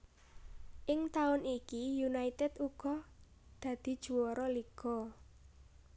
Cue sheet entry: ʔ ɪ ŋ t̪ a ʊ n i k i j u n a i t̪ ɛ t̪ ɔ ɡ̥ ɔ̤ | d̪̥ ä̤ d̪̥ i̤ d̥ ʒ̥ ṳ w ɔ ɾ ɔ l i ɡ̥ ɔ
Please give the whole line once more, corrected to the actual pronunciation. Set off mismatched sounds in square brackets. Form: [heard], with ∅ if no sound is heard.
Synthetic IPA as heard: ʔ ɪ ŋ t̪ a ʊ n i k i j u n a i t̪ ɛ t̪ [u] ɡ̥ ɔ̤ | d̪̥ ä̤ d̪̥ i̤ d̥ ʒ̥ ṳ w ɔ ɾ ɔ l i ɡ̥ ɔ